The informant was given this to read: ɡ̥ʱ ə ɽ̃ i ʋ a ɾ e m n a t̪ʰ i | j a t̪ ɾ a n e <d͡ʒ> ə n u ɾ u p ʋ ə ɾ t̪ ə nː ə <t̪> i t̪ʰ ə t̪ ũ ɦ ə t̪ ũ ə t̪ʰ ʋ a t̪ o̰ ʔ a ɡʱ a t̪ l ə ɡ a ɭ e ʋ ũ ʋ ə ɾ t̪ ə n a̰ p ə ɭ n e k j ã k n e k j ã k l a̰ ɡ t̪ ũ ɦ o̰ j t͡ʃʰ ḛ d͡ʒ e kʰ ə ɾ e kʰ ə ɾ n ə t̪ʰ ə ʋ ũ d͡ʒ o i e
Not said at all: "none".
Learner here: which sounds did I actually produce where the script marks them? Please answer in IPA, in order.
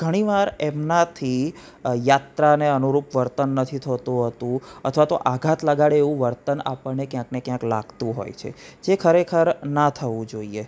none, t̪ʰ

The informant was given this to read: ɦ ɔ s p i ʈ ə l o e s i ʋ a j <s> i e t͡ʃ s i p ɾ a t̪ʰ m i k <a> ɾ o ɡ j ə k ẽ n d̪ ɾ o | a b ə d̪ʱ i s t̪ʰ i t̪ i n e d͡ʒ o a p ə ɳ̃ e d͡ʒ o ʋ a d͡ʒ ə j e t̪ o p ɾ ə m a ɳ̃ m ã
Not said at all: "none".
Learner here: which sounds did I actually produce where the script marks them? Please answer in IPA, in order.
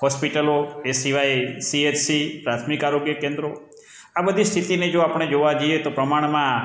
s, a

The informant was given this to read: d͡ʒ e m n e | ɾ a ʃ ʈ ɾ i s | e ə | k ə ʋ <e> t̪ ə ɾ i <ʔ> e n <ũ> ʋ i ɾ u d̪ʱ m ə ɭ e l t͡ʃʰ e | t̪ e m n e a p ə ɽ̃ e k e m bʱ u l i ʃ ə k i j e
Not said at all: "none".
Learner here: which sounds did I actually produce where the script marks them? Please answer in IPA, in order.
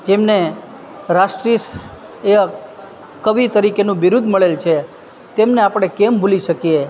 i, k, ũ

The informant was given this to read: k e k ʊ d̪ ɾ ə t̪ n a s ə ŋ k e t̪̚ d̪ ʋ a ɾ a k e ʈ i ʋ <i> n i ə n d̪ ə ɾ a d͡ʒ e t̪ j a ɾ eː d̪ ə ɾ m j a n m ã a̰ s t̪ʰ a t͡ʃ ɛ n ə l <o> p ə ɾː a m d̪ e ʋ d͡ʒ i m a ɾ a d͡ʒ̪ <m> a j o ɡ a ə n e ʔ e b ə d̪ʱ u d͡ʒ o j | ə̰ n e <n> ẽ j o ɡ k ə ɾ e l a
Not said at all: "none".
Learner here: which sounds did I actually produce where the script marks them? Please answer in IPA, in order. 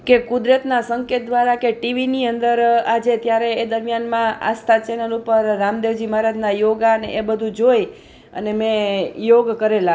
i, u, n, m

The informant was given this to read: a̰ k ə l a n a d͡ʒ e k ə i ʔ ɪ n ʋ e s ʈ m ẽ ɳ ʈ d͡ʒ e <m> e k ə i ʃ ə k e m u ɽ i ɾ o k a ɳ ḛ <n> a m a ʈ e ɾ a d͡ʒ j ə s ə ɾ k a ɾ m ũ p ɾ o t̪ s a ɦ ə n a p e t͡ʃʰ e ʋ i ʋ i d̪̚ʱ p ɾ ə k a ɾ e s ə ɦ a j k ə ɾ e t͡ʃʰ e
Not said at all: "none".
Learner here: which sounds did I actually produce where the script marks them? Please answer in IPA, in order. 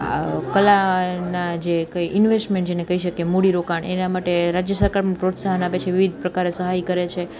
n, n

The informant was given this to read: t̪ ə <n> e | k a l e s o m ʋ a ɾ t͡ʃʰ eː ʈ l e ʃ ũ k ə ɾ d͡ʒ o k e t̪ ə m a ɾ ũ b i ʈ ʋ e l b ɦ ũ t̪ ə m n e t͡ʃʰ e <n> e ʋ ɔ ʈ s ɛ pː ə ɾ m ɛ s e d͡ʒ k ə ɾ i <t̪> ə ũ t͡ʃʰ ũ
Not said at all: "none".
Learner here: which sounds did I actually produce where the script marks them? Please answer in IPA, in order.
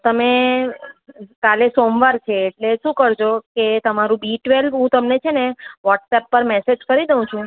m, n, d̪

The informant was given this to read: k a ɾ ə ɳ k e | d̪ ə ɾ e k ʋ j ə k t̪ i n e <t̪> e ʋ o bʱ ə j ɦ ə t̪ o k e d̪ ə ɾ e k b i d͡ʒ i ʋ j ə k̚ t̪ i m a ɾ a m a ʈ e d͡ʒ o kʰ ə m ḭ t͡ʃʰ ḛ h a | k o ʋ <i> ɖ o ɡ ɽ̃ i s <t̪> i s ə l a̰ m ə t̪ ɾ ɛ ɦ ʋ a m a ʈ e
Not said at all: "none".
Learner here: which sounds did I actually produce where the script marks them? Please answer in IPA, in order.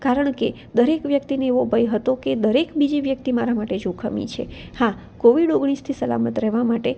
none, i, t̪ʰ

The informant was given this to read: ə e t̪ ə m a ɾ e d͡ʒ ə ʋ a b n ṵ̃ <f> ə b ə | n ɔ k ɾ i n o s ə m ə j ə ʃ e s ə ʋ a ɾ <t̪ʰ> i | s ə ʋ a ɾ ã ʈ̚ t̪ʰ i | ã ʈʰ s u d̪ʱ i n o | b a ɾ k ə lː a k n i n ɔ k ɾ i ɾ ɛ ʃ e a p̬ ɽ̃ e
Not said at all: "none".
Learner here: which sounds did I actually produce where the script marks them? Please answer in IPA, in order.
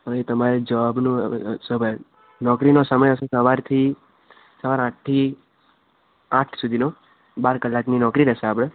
s, t̪ʰ

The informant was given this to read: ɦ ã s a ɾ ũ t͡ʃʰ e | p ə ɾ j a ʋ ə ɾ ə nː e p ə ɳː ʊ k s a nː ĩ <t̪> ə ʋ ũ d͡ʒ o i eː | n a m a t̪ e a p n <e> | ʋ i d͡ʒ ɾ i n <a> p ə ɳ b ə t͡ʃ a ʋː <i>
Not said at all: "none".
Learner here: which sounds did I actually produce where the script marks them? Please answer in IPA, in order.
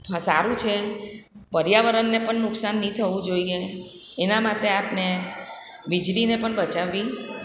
t̪ʰ, e, e, i

